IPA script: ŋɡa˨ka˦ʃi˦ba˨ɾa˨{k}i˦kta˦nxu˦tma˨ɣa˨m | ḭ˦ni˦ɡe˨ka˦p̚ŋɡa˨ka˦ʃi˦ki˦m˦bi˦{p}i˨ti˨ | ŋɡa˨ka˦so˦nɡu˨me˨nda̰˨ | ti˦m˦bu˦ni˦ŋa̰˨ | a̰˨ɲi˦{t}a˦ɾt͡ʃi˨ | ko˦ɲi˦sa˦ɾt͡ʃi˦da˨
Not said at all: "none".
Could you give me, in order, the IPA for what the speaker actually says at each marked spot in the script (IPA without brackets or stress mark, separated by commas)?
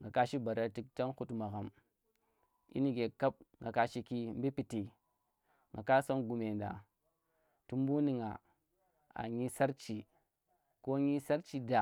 t, p, s